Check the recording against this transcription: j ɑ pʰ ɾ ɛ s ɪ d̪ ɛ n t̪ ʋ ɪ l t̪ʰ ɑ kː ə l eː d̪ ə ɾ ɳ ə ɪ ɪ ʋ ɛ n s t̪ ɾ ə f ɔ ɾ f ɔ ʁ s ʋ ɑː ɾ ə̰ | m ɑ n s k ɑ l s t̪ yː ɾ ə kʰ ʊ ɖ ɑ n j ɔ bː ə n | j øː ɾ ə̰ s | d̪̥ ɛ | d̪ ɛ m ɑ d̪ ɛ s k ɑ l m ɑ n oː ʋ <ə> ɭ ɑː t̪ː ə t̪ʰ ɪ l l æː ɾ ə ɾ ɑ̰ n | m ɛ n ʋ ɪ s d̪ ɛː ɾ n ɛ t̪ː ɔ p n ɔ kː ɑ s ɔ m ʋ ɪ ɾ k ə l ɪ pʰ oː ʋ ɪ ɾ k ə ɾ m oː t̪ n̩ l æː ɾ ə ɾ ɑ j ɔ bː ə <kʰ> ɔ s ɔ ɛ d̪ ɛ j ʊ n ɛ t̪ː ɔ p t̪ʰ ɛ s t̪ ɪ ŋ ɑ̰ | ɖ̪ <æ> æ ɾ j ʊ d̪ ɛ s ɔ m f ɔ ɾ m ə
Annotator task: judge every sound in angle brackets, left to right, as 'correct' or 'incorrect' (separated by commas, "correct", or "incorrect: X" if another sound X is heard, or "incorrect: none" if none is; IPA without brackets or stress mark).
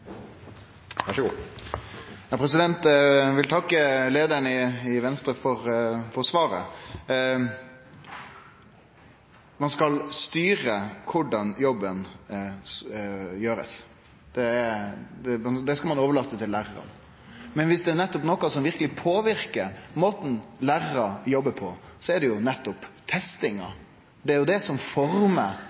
correct, incorrect: pʰ, incorrect: ɛ